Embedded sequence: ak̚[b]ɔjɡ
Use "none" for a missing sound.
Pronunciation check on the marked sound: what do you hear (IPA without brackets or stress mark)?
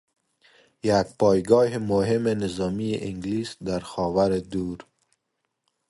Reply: p